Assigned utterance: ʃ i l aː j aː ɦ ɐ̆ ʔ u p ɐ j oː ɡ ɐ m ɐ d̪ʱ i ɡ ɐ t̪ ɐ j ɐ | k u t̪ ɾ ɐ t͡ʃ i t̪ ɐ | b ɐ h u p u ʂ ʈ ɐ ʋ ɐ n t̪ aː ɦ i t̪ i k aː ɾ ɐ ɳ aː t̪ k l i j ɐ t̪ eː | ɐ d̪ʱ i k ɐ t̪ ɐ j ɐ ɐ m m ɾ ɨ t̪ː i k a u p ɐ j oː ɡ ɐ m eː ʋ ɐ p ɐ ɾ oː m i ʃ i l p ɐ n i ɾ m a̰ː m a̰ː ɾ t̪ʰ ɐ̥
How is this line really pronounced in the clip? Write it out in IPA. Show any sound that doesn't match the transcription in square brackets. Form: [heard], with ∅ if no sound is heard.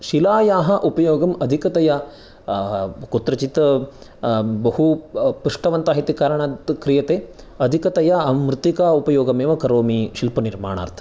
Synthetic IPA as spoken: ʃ i l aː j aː ɦ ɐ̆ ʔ u p ɐ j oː ɡ ɐ m ɐ d̪ʱ i [k] ɐ t̪ ɐ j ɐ | k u t̪ ɾ ɐ t͡ʃ i t̪ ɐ | b ɐ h u p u ʂ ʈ ɐ ʋ ɐ n t̪ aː ɦ i t̪ i k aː ɾ ɐ ɳ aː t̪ k [ɾ] i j ɐ t̪ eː | ɐ d̪ʱ i k ɐ t̪ ɐ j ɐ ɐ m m ɾ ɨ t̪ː i k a u p ɐ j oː ɡ ɐ m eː ʋ ɐ [k] ɐ ɾ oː m i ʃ i l p ɐ n i ɾ m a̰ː [ɳ] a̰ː ɾ t̪ʰ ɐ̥